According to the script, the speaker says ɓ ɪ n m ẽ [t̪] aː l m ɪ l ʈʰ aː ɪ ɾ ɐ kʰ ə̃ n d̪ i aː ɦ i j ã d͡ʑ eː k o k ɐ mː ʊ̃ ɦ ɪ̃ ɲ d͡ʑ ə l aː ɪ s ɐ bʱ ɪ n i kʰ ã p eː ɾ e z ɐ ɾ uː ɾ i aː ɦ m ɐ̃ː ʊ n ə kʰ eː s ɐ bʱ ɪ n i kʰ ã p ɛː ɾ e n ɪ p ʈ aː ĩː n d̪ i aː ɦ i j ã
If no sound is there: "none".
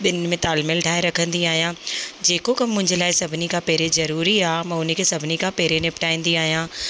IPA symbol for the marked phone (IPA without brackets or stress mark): t̪